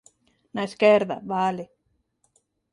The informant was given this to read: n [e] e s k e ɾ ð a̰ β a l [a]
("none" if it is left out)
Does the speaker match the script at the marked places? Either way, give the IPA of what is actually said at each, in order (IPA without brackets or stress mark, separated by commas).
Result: a, e